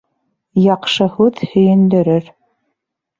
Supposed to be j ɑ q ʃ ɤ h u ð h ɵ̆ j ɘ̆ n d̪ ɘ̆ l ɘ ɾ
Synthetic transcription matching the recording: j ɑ q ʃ ɤ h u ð h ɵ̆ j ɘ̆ n d̪ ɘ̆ ɾ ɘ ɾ